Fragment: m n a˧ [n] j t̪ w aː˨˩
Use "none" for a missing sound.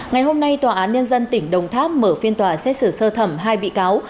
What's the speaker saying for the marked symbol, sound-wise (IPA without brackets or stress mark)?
none